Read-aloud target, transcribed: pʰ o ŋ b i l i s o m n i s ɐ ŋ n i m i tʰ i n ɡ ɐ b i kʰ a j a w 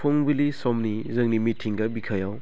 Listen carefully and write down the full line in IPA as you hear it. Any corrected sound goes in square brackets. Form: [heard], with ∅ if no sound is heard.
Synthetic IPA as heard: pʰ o ŋ b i l i s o m n i [z] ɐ ŋ n i m i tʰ i [ŋ] ɡ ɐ b i kʰ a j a w